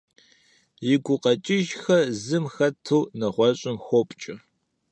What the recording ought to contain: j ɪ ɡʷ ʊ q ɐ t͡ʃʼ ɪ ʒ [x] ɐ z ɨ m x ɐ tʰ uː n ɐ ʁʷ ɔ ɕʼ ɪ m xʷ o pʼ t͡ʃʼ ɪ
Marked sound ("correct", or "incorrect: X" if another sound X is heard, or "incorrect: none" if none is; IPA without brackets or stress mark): correct